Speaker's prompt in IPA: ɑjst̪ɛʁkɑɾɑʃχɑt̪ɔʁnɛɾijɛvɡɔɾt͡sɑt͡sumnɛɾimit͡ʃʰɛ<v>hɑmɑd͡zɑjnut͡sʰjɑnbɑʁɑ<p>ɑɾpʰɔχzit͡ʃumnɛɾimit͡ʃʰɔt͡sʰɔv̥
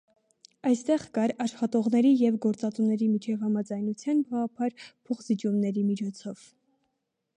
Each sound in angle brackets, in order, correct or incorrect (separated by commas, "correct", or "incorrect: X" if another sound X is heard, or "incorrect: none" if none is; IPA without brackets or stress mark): correct, incorrect: pʰ